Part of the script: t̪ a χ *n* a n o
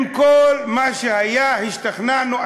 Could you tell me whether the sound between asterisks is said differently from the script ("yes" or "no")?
no